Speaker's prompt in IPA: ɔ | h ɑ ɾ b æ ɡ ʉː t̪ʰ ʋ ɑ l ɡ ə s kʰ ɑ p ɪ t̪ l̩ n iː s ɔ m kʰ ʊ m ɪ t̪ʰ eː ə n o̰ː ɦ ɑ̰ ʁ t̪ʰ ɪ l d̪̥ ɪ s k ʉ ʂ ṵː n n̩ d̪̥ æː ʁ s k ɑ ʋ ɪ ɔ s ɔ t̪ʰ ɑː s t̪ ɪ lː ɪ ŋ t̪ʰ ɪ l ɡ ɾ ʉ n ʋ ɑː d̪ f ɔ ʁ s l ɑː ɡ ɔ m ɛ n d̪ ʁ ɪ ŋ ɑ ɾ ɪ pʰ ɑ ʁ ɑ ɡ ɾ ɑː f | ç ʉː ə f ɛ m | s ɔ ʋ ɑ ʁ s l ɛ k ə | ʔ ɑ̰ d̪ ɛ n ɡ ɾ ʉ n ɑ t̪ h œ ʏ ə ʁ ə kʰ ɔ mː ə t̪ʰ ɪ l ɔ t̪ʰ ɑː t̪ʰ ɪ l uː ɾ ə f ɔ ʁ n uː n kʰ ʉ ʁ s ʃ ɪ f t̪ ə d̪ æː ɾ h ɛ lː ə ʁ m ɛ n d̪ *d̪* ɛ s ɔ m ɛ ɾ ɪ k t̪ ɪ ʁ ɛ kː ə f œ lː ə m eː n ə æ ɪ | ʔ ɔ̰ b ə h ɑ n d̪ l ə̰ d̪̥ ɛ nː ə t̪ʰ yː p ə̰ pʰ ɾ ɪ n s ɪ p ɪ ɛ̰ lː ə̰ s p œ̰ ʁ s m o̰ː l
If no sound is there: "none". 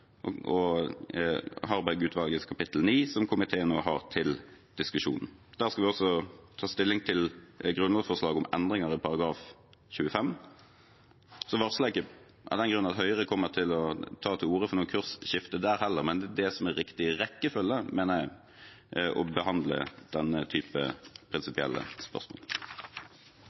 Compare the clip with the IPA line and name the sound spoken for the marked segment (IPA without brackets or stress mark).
d̪